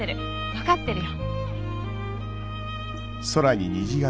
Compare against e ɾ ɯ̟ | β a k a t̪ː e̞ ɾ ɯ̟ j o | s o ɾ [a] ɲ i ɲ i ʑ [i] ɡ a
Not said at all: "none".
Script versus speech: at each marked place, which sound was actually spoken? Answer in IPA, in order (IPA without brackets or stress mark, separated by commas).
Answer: a, i